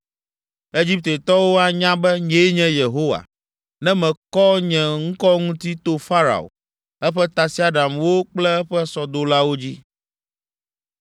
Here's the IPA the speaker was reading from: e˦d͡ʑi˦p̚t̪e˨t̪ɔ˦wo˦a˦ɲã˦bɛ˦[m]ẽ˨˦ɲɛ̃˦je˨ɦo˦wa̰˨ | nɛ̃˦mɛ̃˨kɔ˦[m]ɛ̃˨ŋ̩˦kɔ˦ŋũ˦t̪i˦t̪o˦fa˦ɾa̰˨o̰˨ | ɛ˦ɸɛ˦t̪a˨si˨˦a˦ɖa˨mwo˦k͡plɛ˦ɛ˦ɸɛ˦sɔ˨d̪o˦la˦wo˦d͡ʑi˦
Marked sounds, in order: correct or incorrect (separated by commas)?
incorrect, incorrect